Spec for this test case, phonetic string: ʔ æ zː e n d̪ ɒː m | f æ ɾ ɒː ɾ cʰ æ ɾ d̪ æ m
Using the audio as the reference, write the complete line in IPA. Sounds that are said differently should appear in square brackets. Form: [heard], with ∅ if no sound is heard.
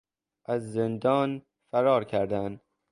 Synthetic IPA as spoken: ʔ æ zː e n d̪ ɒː [n] | f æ ɾ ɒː ɾ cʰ æ ɾ d̪ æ [n]

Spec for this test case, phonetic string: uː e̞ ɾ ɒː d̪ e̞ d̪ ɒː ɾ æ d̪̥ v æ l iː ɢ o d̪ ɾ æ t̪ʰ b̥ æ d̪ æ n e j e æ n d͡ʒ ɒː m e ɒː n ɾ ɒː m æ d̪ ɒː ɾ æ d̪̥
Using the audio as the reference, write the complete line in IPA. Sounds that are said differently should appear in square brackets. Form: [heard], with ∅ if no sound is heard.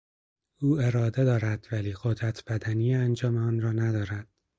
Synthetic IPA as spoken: uː e̞ ɾ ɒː d̪ e̞ d̪ ɒː ɾ æ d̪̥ v æ l iː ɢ o d̪ ɾ æ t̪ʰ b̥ æ d̪ æ n [i] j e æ n d͡ʒ ɒː m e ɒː n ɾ ɒː [n] æ d̪ ɒː ɾ æ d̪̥

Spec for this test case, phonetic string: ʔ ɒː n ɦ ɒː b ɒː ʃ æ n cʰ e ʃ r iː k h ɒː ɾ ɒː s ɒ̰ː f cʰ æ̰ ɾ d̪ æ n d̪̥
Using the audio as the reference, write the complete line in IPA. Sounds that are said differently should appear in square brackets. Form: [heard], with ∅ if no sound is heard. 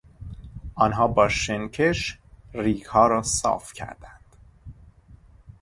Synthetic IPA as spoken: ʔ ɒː n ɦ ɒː b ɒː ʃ [e] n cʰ e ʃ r iː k h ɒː ɾ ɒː s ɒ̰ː f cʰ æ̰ ɾ d̪ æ n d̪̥

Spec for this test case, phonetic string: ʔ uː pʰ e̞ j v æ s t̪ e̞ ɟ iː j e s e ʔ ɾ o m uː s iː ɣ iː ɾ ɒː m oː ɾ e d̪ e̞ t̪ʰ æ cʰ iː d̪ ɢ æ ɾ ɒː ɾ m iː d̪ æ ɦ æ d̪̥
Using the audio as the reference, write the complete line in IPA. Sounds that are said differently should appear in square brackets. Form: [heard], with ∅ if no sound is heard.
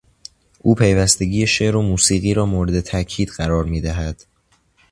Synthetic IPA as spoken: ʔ uː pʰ e̞ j v æ s t̪ e̞ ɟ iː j e [ʃ] e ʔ ɾ o m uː s iː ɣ iː ɾ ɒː m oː ɾ e d̪ e̞ t̪ʰ æ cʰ iː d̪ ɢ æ ɾ ɒː ɾ m iː d̪ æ ɦ æ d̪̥

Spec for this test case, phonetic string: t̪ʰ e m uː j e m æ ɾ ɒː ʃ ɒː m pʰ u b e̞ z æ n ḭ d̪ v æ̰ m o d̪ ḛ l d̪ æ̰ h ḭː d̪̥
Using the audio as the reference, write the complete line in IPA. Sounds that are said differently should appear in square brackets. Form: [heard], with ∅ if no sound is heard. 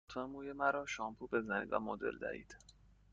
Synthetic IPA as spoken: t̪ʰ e m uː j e m æ ɾ ɒː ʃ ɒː m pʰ u b e̞ z æ n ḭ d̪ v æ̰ m o d̪ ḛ l d̪ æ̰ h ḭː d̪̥

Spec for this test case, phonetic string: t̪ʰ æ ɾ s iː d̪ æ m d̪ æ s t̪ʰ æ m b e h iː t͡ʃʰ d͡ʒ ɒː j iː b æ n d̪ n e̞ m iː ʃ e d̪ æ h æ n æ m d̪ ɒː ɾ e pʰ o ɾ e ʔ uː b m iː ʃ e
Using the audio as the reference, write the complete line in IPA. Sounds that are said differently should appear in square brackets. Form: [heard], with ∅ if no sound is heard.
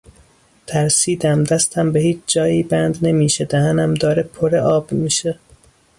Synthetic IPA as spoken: t̪ʰ æ ɾ s iː d̪ æ m d̪ æ s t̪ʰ æ m b e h iː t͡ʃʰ d͡ʒ ɒː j iː b æ n d̪ n e̞ m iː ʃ e d̪ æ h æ n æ m d̪ ɒː ɾ e pʰ o ɾ e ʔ [ɒː] b m iː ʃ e

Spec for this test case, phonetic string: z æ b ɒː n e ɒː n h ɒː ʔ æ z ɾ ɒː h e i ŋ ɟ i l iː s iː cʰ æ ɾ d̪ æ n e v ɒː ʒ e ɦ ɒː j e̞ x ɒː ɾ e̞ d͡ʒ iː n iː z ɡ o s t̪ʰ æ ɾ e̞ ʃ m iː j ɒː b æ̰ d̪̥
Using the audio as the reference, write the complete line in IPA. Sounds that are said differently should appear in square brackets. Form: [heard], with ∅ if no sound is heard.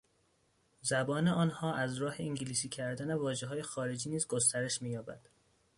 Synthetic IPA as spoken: z æ b ɒː n e ɒː n h ɒː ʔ æ z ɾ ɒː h e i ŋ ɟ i l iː s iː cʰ æ ɾ d̪ æ n e v ɒː ʒ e ɦ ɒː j e̞ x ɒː ɾ e̞ d͡ʒ iː n iː z ɡ o s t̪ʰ æ ɾ e̞ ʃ m iː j ɒː b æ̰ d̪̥

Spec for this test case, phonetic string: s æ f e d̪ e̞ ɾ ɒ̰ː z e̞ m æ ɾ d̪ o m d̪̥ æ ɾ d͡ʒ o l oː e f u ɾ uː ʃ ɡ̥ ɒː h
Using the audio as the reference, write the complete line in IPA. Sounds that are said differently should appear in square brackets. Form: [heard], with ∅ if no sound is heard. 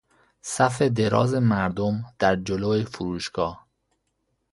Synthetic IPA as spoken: s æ f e d̪ e̞ ɾ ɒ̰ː z e̞ m æ ɾ d̪ o m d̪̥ æ ɾ d͡ʒ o l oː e f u ɾ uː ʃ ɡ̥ ɒː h

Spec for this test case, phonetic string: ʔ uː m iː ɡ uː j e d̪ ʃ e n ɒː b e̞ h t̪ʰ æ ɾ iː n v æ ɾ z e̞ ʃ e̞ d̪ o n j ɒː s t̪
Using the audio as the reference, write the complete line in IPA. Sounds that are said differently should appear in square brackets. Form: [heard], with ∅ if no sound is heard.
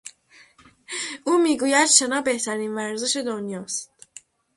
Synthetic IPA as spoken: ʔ uː m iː ɡ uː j [æ] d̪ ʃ e n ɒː b e̞ h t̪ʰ æ ɾ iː n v æ ɾ z e̞ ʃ e̞ d̪ o n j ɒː s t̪

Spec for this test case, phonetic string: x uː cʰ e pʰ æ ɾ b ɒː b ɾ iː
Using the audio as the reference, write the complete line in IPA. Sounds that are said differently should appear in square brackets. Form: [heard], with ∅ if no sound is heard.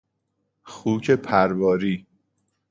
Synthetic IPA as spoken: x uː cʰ e pʰ æ ɾ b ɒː [∅] ɾ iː

